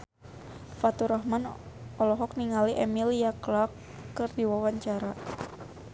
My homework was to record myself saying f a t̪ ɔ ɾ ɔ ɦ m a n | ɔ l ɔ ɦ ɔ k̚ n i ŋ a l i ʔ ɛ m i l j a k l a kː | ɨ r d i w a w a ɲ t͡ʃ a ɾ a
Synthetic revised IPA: f a t̪ u ɾ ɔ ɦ m a n | ɔ l ɔ ɦ ɔ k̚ n i ŋ a l i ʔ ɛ m i l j a k l a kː | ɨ r d i w a w a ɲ t͡ʃ a ɾ a